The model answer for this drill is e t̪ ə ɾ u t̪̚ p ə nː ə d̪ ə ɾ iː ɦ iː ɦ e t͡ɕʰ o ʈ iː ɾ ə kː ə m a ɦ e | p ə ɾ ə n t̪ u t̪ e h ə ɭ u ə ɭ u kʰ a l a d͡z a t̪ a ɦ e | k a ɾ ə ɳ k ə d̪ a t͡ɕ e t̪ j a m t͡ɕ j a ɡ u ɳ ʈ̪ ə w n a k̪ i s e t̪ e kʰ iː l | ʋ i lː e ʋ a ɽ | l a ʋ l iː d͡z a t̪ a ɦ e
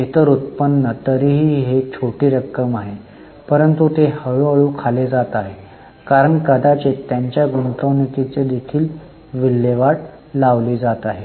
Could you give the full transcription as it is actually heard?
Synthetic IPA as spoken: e t̪ ə ɾ u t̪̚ p ə nː ə t̪ ə ɾ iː ɦ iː ɦ e t͡ɕʰ o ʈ iː ɾ ə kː ə m a ɦ e | p ə ɾ ə n t̪ u t̪ e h ə ɭ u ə ɭ u kʰ a l e d͡z a t̪ a ɦ e | k a ɾ ə ɳ k ə d̪ a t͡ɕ e t̪ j a ɲ t͡ɕ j a ɡ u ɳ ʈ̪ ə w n i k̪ i t͡s e d̪ e kʰ iː l | ʋ i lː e ʋ a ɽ | l a ʋ l iː d͡z a t̪ a ɦ e